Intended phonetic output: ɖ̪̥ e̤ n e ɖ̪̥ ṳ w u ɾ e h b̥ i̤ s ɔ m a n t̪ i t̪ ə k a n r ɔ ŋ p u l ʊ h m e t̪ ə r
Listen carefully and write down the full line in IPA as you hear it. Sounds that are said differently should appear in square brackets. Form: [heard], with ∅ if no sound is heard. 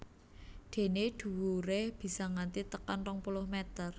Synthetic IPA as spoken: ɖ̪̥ e̤ n e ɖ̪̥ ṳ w u ɾ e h b̥ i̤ s ɔ [ŋ] a n t̪ i t̪ ə k a n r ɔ ŋ p u l ʊ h m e t̪ ə r